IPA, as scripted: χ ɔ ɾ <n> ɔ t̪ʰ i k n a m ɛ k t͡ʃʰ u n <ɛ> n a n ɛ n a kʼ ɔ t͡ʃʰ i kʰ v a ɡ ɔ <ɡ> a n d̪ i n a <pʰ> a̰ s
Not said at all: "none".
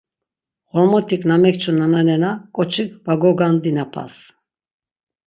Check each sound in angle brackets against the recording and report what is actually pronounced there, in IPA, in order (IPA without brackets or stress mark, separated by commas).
m, a, ɡ, pʰ